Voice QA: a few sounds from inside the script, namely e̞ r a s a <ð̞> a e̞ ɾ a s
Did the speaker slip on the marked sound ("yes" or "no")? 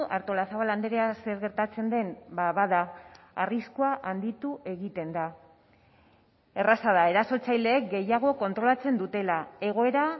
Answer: no